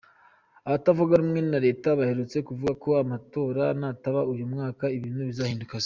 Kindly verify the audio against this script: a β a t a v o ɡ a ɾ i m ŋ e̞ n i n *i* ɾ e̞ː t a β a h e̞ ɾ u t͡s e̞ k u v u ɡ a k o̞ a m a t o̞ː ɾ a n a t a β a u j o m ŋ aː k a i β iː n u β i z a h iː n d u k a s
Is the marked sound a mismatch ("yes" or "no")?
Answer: yes